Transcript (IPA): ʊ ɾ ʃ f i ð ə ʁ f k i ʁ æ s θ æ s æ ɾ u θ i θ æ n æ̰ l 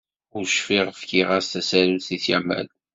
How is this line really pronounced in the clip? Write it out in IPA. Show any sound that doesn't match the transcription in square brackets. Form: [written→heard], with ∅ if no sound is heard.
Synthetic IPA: ʊ ɾ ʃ f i [ð→ʁ] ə [ʁ→∅] f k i ʁ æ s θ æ s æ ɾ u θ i θ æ [n→m] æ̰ l